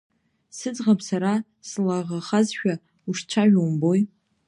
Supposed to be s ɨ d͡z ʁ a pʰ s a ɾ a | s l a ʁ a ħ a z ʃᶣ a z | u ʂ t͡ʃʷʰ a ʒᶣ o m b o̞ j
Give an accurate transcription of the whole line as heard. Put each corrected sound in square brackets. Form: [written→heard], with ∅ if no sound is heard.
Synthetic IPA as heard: s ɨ d͡z ʁ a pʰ s a ɾ a | s l a ʁ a [ħ→χ] a z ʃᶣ a [z→∅] | u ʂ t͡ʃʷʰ a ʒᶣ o m b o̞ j